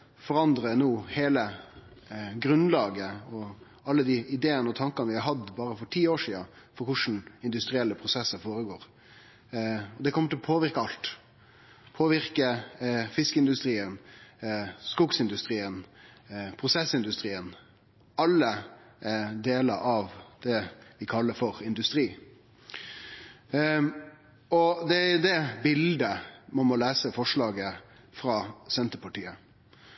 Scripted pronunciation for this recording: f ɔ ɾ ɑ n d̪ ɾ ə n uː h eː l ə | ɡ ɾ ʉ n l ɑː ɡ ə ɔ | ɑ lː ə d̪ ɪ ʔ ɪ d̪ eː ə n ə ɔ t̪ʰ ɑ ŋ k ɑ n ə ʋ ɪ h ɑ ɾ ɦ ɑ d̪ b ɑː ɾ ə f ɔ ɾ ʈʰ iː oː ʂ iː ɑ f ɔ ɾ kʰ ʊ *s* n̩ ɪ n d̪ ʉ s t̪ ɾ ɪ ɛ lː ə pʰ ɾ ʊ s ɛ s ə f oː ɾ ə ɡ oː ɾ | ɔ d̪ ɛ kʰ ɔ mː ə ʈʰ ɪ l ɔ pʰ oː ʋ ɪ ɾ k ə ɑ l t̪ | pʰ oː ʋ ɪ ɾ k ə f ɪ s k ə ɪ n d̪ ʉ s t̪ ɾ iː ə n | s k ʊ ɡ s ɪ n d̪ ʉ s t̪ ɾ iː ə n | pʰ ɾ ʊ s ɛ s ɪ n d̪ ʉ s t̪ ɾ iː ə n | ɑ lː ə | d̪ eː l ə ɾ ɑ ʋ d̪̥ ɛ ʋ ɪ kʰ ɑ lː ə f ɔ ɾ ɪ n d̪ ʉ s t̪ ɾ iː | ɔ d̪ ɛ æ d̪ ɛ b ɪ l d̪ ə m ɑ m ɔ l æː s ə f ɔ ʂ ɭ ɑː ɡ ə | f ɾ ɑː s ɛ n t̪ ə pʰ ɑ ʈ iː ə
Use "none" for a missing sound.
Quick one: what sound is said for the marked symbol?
ʂ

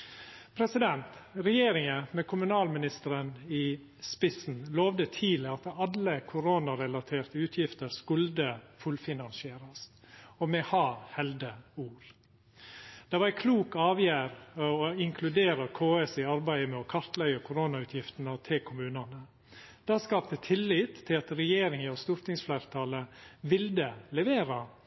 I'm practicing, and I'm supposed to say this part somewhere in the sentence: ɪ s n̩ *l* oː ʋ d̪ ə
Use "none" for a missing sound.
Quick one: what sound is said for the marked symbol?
l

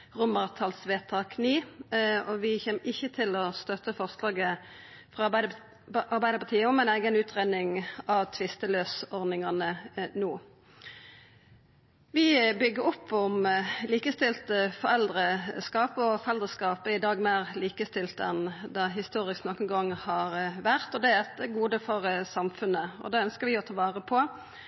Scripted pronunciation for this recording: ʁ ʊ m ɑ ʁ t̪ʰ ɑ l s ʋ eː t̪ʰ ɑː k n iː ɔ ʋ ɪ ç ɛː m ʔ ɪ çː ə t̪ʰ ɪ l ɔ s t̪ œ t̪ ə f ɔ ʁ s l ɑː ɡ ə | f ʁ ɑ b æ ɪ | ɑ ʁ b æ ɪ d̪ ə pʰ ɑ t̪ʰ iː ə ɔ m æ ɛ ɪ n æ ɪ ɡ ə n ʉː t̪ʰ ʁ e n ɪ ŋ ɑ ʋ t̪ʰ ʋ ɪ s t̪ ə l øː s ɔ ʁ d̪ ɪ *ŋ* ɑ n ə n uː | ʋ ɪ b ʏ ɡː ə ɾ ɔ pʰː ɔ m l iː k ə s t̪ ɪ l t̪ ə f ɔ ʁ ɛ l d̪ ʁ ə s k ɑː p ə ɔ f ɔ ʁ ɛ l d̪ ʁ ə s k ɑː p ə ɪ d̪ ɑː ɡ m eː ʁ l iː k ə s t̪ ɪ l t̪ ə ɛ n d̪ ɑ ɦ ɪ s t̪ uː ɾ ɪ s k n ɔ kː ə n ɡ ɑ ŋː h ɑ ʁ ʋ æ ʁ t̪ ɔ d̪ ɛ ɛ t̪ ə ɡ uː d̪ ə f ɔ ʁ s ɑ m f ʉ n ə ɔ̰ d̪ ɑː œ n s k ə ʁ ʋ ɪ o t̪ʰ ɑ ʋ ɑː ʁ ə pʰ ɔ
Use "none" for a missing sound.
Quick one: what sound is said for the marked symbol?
ŋ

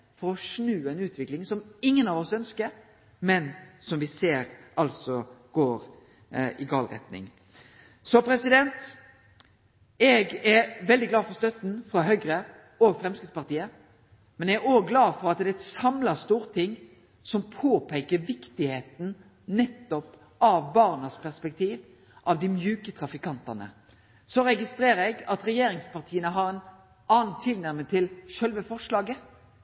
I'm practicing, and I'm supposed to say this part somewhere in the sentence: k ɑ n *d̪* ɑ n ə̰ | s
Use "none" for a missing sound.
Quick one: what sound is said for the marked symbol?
t̪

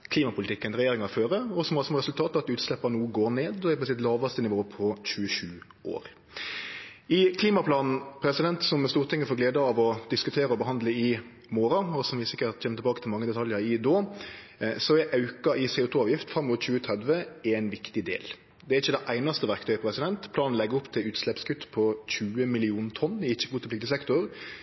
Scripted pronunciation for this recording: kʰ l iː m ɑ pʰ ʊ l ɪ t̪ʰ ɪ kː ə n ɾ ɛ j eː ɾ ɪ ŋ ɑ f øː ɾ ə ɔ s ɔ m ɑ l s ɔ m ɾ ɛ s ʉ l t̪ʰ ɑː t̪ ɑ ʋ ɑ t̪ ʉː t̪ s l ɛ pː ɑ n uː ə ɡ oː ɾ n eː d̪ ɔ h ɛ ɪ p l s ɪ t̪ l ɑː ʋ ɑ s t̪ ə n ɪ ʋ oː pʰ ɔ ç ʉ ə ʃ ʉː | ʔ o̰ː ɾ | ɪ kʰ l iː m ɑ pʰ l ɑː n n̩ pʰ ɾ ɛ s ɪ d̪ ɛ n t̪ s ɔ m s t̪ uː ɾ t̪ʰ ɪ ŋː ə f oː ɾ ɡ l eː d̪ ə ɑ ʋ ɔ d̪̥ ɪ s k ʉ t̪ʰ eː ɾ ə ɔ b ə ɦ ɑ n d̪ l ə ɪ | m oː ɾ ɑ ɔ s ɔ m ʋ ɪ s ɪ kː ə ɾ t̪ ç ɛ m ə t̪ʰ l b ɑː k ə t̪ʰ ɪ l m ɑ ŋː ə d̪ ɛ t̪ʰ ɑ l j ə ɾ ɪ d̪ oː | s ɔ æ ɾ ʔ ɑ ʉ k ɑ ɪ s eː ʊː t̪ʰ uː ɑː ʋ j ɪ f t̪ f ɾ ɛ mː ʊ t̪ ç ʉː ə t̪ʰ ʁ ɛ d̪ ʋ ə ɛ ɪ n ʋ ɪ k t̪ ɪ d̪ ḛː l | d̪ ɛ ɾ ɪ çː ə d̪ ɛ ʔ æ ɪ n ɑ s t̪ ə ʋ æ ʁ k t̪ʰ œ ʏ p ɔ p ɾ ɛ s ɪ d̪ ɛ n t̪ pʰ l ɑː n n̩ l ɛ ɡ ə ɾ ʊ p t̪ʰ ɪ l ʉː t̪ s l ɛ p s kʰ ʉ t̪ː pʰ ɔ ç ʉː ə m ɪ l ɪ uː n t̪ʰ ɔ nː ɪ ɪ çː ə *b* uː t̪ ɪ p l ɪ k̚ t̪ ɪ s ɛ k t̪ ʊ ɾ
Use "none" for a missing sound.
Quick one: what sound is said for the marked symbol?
ɡ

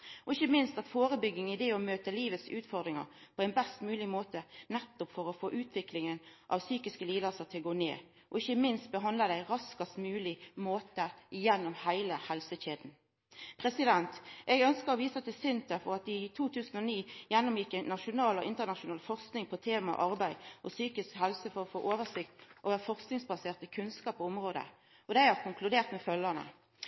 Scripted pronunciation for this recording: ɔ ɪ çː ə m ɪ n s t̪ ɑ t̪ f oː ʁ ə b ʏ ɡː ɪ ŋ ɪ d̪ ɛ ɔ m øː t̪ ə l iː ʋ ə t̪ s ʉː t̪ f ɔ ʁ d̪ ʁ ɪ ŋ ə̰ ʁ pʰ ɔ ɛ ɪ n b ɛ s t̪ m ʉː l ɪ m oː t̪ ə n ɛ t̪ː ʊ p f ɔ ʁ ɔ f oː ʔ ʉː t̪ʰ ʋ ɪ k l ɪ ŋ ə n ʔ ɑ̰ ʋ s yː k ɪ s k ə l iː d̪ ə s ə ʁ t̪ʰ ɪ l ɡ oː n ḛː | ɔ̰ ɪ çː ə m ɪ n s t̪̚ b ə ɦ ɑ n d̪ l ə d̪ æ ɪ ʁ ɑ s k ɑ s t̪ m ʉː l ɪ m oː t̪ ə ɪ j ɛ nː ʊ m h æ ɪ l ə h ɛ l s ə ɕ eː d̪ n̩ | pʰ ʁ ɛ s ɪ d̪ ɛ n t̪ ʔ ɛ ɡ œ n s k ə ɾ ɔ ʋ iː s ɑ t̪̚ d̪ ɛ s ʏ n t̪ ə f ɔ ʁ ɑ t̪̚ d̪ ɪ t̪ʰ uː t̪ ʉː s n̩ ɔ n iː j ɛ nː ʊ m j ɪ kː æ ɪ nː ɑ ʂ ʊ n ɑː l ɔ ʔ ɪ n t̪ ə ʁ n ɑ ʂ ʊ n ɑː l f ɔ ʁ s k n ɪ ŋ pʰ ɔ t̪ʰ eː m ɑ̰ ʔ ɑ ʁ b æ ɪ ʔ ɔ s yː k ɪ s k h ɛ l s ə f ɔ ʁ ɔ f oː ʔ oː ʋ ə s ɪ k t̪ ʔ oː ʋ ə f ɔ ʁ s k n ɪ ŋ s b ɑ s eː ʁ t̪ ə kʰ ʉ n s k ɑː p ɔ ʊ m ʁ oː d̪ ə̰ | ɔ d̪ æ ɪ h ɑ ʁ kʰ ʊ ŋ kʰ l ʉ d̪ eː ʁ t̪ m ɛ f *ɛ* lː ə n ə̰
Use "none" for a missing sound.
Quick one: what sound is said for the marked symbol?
œ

